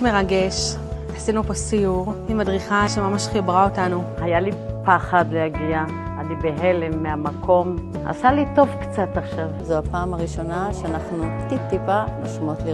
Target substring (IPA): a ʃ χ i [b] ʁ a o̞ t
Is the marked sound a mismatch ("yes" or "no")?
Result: no